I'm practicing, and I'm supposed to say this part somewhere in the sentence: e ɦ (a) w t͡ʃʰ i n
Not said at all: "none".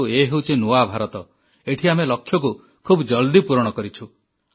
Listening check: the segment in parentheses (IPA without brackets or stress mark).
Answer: e